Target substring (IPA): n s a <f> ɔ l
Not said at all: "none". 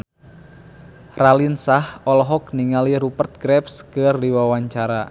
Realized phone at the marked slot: h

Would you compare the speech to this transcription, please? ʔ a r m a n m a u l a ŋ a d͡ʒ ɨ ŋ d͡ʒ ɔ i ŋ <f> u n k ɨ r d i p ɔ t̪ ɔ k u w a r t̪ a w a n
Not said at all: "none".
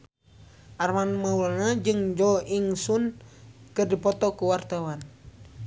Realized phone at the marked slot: s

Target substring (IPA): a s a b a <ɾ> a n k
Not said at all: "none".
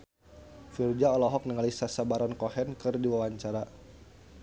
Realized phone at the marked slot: ɾ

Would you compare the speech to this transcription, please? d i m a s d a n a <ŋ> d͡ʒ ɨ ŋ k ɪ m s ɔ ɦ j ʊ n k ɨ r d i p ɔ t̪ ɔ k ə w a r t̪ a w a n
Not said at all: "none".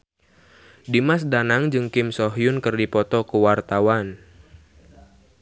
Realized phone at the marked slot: ŋ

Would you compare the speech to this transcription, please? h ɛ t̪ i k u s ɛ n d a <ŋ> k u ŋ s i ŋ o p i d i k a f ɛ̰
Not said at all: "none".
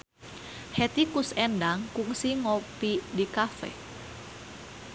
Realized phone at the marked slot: ŋ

